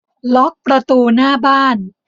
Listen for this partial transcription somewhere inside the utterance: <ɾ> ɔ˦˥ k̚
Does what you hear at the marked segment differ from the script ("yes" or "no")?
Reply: yes